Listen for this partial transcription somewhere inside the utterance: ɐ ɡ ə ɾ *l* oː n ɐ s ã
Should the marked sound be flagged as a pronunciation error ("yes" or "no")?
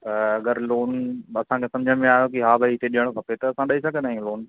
no